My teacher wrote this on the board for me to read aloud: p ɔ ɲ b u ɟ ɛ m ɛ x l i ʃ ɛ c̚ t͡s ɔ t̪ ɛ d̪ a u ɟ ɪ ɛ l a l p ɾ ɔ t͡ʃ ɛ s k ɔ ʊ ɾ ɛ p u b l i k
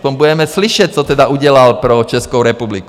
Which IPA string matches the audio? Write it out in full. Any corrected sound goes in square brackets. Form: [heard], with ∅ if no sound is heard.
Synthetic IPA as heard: p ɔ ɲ b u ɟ ɛ m ɛ [s] l i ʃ ɛ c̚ t͡s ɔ t̪ ɛ d̪ a u ɟ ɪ ɛ l a l p ɾ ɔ t͡ʃ ɛ s k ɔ ʊ ɾ ɛ p u b l i k